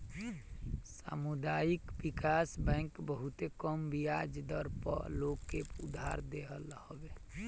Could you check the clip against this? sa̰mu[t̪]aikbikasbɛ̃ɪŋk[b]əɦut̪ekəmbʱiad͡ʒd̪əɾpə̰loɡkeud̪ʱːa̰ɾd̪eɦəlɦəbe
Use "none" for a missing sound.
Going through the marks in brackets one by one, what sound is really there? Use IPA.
d̪, b

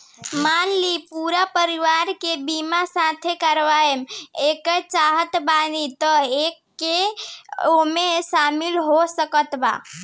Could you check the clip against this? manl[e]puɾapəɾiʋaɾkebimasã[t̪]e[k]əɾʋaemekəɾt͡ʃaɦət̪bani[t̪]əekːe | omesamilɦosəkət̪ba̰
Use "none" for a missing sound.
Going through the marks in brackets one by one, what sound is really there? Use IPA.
i, t̪ʰ, k, t̪

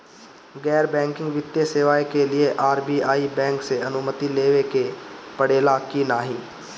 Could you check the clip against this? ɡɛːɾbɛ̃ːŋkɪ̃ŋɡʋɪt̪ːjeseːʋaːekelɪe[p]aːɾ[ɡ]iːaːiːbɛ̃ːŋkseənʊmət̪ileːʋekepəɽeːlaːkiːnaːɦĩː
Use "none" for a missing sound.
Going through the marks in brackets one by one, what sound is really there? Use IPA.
ʔ, b

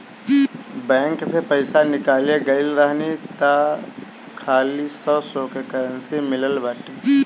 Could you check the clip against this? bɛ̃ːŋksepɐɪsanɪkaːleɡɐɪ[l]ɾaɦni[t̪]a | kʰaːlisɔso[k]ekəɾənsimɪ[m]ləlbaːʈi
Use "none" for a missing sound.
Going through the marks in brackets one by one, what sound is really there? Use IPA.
l, t̪, k, none

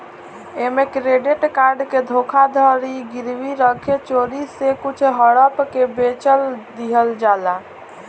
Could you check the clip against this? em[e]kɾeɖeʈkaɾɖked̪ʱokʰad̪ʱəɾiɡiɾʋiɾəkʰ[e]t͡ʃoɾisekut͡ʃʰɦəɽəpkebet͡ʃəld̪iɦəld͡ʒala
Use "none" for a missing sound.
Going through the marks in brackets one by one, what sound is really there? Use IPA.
e, e

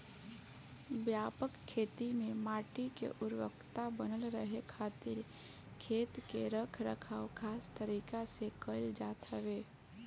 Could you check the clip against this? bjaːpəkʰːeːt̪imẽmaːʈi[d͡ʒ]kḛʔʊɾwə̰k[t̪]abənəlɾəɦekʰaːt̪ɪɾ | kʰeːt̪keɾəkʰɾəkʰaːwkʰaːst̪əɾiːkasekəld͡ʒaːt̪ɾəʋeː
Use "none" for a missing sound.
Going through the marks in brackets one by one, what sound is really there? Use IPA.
none, t̪

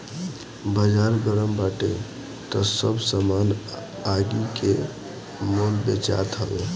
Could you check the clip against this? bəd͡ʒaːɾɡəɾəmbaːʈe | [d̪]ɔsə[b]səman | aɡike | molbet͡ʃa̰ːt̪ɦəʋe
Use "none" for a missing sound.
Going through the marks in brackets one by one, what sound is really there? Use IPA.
t̪, b

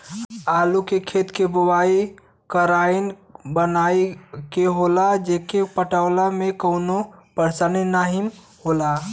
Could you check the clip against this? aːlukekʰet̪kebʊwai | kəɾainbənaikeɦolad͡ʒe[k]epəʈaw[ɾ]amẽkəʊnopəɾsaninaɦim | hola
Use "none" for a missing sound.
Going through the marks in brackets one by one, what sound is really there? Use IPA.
k, l

